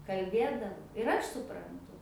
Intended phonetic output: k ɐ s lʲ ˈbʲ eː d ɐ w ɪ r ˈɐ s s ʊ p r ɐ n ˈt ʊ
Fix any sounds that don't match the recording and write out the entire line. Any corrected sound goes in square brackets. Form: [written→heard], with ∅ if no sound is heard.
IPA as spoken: k ɐ [s→∅] lʲ ˈbʲ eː d ɐ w ɪ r ˈɐ [s→ʃ] s ʊ p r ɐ n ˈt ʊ